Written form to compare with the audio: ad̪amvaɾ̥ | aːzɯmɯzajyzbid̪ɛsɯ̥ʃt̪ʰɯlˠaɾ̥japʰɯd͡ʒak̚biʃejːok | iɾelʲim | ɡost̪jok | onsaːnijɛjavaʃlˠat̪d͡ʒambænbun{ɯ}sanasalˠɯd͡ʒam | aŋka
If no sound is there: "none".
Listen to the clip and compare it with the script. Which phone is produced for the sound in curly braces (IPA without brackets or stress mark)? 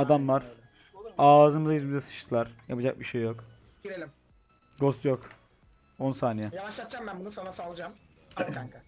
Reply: u